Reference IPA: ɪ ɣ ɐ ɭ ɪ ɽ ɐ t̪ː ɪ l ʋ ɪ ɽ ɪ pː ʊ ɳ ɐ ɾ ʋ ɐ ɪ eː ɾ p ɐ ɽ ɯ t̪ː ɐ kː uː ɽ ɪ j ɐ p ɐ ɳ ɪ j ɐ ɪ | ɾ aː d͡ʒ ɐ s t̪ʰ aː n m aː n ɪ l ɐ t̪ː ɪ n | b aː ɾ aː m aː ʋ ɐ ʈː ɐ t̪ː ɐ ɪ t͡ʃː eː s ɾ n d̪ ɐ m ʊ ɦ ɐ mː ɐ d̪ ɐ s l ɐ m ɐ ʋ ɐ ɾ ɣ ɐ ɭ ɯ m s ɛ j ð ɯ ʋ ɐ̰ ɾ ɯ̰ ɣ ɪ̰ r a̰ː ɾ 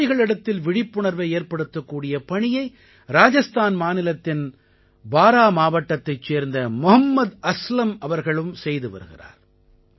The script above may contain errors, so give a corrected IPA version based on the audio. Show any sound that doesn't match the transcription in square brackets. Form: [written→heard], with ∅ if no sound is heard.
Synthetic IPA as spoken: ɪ ɣ ɐ ɭ ɪ ɽ ɐ t̪ː ɪ l ʋ ɪ ɽ ɪ pː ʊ ɳ ɐ ɾ ʋ ɐ ɪ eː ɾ p ɐ ɽ ɯ t̪ː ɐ kː uː ɽ ɪ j ɐ p ɐ ɳ ɪ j ɐ ɪ | ɾ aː d͡ʒ ɐ s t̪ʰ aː n m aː n ɪ l ɐ t̪ː ɪ n | b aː ɾ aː m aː ʋ ɐ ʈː ɐ t̪ː ɐ ɪ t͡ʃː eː [s→∅] ɾ n d̪ ɐ m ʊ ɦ ɐ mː ɐ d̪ ɐ s l ɐ m ɐ ʋ ɐ ɾ ɣ ɐ ɭ ɯ m s ɛ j ð ɯ ʋ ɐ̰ ɾ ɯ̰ ɣ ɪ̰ r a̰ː ɾ